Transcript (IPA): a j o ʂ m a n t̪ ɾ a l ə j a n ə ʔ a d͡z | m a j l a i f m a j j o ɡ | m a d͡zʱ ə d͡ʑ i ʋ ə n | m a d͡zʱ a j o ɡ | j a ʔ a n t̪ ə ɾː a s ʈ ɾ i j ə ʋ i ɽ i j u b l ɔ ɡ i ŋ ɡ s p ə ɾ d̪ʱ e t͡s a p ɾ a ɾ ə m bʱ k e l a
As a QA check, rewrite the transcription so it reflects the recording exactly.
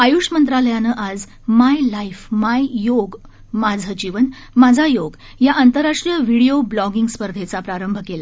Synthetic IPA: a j u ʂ m ə n t̪ ɾ a l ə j a n ə ʔ a d͡z | m a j l a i f m a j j o ɡ | m a d͡zʱ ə d͡ʑ i ʋ ə n | m a d͡zʱ a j o ɡ | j a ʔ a n t̪ ə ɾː a ʂ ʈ ɾ i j ə ʋ i ɽ i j o b l ɔ ɡ i ŋ ɡ s p ə ɾ d̪ʱ e t͡s a p ɾ a ɾ ə m bʱ k e l a